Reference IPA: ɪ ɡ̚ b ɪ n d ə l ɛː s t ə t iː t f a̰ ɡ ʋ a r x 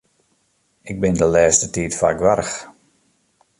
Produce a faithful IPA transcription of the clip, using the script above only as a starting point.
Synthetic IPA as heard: ɪ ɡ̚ b ɪ n d ə l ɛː s t ə t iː t f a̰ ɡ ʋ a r x